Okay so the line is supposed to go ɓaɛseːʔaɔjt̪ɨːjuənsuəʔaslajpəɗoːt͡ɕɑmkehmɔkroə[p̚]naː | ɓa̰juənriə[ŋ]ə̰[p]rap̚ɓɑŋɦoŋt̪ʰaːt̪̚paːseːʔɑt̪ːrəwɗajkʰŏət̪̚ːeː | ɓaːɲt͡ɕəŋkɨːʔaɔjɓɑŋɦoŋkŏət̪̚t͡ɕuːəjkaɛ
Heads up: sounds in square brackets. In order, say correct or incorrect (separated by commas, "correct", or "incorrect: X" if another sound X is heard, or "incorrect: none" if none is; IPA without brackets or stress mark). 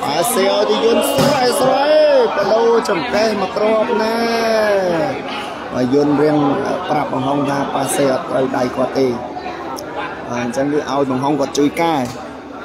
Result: correct, correct, correct